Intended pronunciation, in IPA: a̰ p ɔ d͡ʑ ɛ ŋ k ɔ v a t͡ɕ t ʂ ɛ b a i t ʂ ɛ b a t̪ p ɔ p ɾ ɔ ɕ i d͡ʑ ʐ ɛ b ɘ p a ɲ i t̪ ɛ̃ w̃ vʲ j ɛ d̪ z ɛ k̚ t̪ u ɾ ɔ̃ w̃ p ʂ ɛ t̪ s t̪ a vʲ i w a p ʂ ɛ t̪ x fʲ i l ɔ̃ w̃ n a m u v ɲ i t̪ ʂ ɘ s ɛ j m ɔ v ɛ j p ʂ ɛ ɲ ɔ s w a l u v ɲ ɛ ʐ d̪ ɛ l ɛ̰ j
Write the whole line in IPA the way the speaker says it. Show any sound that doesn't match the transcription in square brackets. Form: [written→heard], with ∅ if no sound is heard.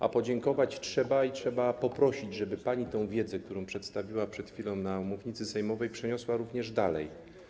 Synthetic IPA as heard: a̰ p ɔ d͡ʑ ɛ ŋ k ɔ v a t͡ɕ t ʂ ɛ b a i t ʂ ɛ b a [t̪→∅] p ɔ p ɾ ɔ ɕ i d͡ʑ ʐ ɛ b ɘ p a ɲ i t̪ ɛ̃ w̃ vʲ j ɛ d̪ z ɛ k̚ t̪ u ɾ ɔ̃ w̃ p ʂ ɛ t̪ s t̪ a vʲ i w a p ʂ ɛ t̪ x fʲ i l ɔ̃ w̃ n a m u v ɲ i t̪ [ʂ→s] ɘ s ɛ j m ɔ v ɛ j p ʂ ɛ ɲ ɔ s w a [l→ɾ] u v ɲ ɛ ʐ d̪ [ɛ→a] l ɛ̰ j